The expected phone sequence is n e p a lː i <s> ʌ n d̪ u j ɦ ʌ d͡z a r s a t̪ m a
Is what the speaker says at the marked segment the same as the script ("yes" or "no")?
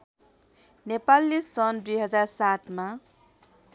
yes